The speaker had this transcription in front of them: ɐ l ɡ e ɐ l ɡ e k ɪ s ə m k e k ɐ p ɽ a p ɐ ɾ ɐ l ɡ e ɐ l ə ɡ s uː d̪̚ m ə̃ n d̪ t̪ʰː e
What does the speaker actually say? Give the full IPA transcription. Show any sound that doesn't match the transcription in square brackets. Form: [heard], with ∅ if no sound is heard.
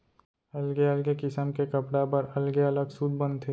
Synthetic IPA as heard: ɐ l ɡ e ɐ l ɡ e k ɪ s ə m k e k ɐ p ɽ a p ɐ ɾ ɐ l ɡ e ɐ l ə ɡ s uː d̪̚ [b] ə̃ n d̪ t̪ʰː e